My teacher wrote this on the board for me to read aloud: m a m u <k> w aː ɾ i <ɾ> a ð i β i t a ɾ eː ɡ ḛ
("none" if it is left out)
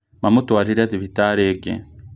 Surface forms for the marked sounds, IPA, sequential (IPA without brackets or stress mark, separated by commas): t, ɾ